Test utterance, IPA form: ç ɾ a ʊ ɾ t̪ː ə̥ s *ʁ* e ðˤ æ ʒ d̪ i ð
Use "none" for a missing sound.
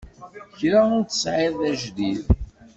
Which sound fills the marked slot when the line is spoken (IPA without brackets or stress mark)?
ʕ